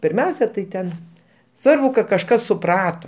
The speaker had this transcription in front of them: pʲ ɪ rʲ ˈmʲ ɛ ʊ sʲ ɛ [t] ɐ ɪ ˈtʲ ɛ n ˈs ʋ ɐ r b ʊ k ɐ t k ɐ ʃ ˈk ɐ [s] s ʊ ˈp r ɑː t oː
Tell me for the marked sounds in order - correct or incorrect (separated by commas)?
correct, correct